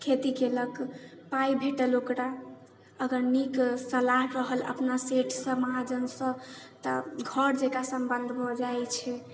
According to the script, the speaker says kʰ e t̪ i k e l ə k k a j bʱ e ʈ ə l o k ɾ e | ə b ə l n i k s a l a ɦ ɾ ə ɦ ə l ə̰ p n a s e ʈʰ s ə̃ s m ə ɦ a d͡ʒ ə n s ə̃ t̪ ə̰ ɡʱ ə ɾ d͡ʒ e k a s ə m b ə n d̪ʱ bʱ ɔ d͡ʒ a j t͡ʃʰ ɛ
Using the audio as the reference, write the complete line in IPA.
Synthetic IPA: kʰ e t̪ i k e l ə k p a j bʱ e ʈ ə l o k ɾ a | ə ɡ ə ɾ n i k s ə l a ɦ ɾ ə ɦ ə l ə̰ p n a s e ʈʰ s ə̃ m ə ɦ a d͡ʒ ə n s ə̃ t̪ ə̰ ɡʱ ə ɾ d͡ʒ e k a s ə m b ə n d̪ʱ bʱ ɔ d͡ʒ a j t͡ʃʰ ɛ